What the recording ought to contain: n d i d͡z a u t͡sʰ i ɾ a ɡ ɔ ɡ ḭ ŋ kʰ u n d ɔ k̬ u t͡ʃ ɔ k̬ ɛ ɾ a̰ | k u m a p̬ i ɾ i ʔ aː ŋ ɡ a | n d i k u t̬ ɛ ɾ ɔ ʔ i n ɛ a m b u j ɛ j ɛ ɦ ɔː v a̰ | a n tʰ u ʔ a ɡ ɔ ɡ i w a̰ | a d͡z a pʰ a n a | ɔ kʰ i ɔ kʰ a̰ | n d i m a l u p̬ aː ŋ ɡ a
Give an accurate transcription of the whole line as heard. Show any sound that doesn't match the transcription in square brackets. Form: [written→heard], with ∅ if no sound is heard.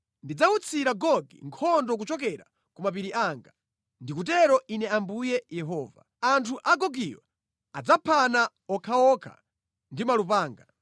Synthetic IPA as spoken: n d i d͡z a u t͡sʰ i ɾ a ɡ ɔ ɡ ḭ ŋ kʰ [u→ɔ] n d ɔ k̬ u t͡ʃ ɔ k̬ ɛ ɾ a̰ | k u m a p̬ i ɾ i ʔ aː ŋ ɡ a | n d i k u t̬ ɛ ɾ ɔ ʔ i n ɛ a m b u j ɛ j ɛ ɦ ɔː v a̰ | a n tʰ u ʔ a ɡ ɔ ɡ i w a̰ | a d͡z a pʰ a n a | ɔ kʰ [i→a] ɔ kʰ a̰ | n d i m a l u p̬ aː ŋ ɡ a